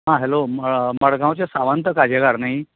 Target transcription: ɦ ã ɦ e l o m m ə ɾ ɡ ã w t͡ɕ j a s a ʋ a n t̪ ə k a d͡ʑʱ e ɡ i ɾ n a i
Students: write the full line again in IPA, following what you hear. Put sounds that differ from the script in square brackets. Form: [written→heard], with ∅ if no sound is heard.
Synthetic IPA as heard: ɦ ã ɦ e l o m m ə [ɾ→ɽ] ɡ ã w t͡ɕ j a s a ʋ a n t̪ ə k a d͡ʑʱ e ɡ [i→a] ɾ n a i